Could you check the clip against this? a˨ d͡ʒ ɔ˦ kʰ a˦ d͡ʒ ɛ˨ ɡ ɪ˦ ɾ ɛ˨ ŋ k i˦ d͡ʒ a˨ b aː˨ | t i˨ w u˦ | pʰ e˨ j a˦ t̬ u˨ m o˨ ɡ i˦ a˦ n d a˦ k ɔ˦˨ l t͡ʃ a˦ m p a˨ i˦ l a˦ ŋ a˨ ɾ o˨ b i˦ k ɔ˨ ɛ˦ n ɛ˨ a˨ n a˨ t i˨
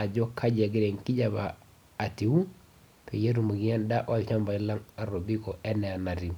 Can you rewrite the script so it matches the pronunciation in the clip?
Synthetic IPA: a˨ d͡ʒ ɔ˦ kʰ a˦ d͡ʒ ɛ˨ ɡ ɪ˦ ɾ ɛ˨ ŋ k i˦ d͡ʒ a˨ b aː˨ | t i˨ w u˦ | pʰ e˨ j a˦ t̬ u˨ m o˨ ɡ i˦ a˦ n d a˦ ʔ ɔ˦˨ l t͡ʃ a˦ m b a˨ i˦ l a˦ ŋ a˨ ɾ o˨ b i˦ k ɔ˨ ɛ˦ n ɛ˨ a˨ n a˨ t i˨

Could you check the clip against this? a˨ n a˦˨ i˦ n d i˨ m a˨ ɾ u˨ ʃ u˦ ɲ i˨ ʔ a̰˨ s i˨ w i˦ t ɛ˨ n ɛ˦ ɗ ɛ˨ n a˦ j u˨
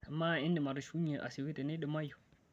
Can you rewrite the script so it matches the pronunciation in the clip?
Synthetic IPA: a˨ m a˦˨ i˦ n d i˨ m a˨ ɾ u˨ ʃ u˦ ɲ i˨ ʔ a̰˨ s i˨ w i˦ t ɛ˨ n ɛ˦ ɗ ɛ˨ m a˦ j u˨

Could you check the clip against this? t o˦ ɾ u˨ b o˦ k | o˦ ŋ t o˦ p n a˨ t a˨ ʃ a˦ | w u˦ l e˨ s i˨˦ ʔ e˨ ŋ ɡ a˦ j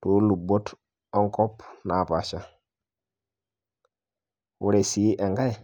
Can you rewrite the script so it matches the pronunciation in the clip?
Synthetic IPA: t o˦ l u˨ b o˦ t | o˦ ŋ k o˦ p n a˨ p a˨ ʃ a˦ | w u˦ ɾ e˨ s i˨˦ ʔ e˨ ŋ ɡ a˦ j

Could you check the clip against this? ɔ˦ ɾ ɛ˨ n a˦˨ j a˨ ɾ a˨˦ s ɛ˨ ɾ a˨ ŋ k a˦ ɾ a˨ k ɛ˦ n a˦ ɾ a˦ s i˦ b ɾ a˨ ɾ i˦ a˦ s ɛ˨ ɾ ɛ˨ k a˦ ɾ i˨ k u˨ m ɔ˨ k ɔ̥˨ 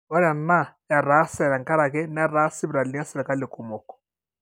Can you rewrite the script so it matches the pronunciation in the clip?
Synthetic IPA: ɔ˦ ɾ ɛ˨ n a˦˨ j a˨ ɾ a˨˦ s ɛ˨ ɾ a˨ ŋ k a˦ ɾ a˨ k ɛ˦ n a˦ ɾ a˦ s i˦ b ɾ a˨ l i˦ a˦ s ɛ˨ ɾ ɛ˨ k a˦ l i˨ k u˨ m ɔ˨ k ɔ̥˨

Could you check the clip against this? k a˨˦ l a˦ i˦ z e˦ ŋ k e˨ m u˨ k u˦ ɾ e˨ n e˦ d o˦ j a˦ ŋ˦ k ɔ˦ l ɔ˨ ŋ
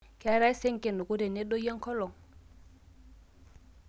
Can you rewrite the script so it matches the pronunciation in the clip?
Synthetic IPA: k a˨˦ ɾ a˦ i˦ s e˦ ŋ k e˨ n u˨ k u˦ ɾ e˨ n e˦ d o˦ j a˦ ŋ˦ k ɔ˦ l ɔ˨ ŋ

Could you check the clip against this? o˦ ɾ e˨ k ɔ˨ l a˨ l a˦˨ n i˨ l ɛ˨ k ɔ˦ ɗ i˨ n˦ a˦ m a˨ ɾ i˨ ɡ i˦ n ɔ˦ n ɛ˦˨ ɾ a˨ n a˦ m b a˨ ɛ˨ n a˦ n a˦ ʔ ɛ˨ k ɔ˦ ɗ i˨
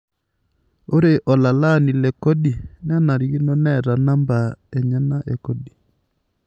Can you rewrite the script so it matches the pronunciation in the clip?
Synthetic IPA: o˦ ɾ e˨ ʔ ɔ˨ l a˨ l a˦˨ n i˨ l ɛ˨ k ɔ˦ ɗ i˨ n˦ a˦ n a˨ ɾ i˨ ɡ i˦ n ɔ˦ n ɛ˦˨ ɾ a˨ n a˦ m b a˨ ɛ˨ ɲ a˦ n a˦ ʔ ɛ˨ k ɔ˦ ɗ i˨

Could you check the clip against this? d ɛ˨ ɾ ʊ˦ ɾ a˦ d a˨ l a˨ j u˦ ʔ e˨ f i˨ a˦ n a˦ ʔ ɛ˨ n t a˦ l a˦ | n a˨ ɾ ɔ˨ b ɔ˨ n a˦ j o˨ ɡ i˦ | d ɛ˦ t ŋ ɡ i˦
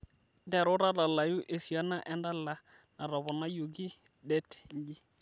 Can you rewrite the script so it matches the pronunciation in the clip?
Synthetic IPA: d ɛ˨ ɾ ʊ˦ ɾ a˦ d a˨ l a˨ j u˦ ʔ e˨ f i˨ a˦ n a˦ ʔ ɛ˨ n d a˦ l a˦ | n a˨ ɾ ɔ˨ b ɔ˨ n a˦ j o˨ ɡ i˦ | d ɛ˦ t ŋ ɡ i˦

